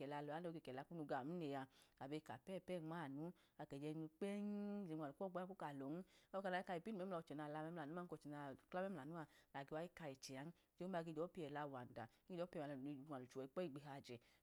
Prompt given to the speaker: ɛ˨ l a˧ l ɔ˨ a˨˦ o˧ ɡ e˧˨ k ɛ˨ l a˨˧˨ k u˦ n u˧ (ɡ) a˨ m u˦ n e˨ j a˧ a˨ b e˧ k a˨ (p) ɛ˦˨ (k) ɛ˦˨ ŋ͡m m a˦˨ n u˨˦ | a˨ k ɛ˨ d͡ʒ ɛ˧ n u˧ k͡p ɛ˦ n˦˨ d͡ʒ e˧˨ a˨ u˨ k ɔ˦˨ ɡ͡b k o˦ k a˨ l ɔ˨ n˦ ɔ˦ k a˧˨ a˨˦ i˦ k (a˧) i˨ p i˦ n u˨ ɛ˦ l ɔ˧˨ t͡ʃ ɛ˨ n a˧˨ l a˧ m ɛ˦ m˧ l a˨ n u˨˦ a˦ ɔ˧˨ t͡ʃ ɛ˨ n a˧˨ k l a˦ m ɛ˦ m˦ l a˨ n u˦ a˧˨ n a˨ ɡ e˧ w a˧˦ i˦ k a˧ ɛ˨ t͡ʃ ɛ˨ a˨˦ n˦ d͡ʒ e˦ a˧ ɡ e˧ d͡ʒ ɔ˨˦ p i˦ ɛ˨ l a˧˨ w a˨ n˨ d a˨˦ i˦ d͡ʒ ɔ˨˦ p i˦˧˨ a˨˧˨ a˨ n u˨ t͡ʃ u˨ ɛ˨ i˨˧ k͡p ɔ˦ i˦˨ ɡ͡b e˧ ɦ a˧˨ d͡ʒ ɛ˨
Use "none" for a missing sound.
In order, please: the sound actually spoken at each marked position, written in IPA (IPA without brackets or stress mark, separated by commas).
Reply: ɡ, p, p, a˧